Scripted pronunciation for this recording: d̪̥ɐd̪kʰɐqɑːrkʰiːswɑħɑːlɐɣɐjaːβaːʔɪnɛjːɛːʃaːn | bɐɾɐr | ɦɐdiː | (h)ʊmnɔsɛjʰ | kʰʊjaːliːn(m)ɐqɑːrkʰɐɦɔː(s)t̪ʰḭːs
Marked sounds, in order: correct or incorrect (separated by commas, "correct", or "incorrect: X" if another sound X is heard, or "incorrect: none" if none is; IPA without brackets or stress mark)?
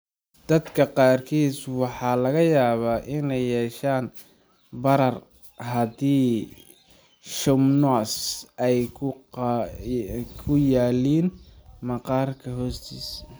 incorrect: ʃ, correct, correct